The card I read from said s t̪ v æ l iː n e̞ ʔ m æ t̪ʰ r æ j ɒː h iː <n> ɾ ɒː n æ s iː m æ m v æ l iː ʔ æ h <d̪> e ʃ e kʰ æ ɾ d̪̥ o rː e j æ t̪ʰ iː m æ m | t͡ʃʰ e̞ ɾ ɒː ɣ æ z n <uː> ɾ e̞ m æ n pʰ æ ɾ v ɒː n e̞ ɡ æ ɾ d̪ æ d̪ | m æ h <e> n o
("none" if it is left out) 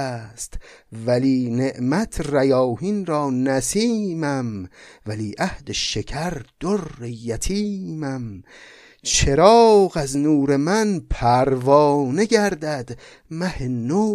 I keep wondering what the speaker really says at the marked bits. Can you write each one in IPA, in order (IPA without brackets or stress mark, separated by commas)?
n, d̪, uː, e